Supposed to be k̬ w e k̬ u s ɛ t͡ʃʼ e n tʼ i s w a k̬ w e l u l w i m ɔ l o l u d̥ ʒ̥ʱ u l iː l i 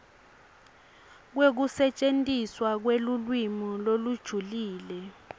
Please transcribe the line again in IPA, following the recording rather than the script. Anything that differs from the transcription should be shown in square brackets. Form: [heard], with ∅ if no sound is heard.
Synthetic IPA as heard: k̬ w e k̬ u s ɛ t͡ʃʼ e n tʼ i s w a k̬ w e l u l w i m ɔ l o l u d̥ ʒ̥ʱ u l iː l [ɛ]